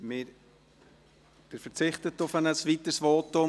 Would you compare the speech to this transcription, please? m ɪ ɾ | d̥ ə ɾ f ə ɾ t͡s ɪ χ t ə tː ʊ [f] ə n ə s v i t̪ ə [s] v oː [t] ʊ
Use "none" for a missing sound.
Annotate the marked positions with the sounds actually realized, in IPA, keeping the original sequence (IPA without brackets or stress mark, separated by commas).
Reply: f, s, t